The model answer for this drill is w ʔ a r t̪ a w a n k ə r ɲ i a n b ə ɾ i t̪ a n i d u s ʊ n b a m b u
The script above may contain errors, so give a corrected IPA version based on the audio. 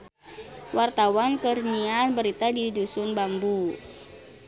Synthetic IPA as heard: w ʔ a r t̪ a w a n k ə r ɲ i a n b ə ɾ i t̪ a d i d u s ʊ n b a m b u